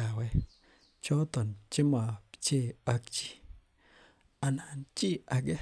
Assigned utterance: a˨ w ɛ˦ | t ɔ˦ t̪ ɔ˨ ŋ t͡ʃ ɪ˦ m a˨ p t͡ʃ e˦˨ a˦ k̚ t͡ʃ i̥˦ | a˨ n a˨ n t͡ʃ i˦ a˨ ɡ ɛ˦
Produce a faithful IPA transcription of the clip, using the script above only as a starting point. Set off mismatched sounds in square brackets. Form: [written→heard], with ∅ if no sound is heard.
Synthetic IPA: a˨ w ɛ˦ | [t→t͡ʃ] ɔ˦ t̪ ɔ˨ [ŋ→n] t͡ʃ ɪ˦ m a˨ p t͡ʃ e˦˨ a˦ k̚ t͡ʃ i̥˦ | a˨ n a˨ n t͡ʃ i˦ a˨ ɡ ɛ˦